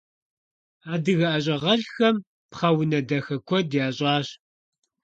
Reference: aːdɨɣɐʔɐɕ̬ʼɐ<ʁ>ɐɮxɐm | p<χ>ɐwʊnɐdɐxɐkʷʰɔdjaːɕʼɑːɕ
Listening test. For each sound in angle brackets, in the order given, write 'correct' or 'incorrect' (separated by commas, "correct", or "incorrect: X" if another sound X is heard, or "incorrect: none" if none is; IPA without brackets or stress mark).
correct, correct